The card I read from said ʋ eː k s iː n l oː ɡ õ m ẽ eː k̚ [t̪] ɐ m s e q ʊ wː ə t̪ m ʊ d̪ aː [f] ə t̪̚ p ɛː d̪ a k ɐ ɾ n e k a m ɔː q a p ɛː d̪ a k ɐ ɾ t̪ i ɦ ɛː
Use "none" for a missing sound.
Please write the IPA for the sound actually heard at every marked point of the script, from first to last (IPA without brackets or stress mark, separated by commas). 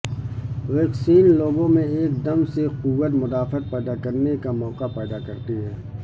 d̪, f